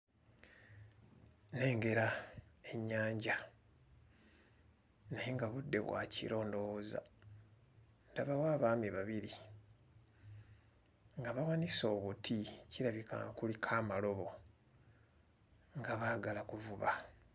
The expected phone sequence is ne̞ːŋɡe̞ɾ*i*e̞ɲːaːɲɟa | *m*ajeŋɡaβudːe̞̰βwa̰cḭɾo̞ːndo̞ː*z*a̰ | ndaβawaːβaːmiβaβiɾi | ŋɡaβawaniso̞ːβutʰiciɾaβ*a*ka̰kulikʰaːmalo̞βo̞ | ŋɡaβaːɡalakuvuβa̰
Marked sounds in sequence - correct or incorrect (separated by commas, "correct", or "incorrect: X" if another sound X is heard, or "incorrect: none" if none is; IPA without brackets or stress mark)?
incorrect: a, incorrect: n, correct, incorrect: i